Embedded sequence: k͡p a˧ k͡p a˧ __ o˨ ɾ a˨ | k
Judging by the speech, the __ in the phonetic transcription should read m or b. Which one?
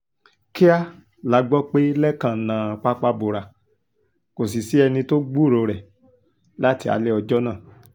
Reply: b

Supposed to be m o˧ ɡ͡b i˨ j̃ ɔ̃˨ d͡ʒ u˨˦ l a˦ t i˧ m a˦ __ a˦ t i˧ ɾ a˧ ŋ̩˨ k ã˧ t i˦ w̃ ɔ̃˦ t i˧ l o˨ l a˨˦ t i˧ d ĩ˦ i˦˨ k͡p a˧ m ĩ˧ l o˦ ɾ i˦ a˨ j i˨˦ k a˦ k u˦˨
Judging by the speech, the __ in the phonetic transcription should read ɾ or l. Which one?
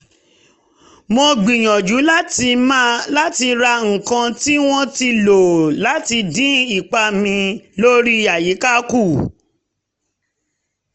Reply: l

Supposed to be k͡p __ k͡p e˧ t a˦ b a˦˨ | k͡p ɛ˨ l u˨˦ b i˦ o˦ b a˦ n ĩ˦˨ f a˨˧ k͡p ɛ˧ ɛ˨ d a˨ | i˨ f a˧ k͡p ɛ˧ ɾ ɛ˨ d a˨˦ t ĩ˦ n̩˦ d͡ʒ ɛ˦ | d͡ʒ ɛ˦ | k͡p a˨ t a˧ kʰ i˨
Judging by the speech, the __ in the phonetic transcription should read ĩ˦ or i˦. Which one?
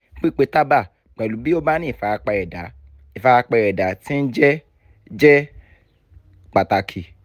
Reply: i˦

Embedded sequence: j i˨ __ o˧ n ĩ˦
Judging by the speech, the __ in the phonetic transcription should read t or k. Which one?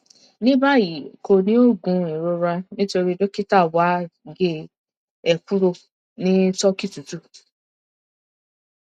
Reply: k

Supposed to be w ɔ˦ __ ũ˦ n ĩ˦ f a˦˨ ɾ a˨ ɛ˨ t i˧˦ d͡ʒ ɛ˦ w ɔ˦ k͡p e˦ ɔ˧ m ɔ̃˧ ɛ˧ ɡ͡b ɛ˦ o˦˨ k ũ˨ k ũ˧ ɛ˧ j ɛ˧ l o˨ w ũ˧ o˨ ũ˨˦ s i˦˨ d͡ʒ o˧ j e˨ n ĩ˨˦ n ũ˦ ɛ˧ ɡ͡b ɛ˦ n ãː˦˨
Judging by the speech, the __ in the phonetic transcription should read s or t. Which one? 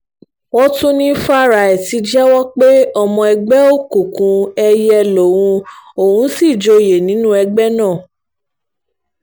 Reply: t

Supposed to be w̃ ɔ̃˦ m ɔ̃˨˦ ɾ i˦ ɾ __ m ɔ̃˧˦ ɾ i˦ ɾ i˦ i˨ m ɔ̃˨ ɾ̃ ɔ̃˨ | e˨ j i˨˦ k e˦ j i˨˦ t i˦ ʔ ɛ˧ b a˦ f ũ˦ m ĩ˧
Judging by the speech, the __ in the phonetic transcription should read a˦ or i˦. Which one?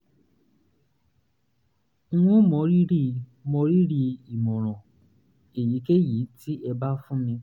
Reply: i˦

